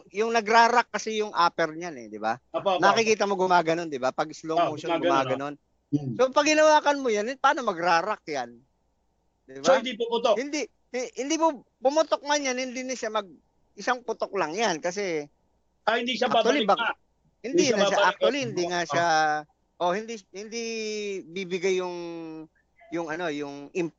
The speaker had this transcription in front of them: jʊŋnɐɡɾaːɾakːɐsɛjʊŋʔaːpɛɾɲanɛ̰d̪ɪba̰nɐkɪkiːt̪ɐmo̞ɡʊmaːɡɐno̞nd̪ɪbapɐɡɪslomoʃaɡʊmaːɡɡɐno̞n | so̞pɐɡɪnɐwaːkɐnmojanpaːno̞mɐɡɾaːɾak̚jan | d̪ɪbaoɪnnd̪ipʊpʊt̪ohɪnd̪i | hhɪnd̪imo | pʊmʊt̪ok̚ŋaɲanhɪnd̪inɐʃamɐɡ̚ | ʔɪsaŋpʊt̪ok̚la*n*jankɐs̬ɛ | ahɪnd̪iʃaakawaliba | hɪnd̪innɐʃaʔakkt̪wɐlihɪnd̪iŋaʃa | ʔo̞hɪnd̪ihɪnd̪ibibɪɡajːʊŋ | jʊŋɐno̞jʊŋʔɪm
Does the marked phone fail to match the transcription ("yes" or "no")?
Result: yes